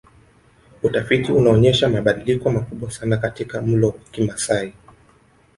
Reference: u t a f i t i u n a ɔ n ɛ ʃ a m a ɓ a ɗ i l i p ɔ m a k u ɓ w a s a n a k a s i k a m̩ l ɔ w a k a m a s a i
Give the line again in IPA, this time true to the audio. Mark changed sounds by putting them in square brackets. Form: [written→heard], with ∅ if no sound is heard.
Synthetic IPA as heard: u t a f i t i u n a ɔ [n→ɲ] ɛ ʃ a m a ɓ a ɗ i l i [p→k] ɔ m a k u ɓ w a s a n a k a [s→t] i k a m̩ l ɔ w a k [a→i] m a s a i